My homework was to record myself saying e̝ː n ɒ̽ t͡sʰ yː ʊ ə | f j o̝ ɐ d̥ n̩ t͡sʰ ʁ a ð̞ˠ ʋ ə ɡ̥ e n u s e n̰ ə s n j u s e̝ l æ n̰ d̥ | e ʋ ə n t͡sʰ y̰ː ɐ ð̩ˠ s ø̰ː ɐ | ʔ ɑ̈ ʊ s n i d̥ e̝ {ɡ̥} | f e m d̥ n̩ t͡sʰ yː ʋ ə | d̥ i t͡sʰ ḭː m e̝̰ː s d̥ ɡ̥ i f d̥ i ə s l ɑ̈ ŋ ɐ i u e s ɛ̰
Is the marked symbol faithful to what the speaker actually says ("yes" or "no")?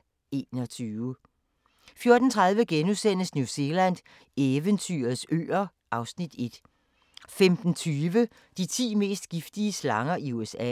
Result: no